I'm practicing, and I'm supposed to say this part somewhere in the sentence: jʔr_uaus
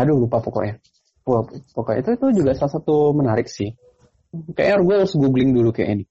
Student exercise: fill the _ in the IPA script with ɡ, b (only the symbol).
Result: ɡ